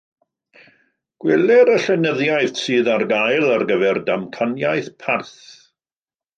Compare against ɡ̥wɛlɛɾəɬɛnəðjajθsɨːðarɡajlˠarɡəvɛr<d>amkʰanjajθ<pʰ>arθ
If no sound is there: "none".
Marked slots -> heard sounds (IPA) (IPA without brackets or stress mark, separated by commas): d, pʰ